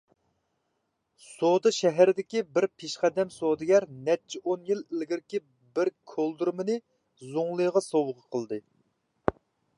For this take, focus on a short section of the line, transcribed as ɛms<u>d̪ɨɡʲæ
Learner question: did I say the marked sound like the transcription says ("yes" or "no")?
no